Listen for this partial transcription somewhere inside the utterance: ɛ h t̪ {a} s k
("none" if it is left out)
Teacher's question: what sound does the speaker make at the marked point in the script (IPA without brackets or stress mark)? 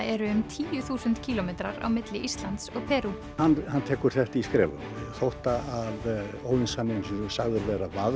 i